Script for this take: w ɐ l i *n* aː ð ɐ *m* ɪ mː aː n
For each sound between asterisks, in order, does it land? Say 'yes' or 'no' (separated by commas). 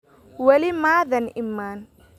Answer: no, no